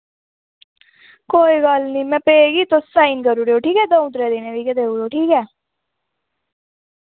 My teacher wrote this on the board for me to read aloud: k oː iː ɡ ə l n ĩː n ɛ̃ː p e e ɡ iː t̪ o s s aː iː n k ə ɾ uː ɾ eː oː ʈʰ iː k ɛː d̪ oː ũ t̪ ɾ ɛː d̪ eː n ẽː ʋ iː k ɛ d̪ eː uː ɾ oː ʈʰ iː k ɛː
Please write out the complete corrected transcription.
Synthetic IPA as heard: k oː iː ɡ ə l n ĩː m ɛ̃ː p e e ɡ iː t̪ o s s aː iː n k ə ɾ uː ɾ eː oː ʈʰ iː k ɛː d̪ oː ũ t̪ ɾ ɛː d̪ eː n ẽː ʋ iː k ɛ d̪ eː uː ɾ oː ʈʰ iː k ɛː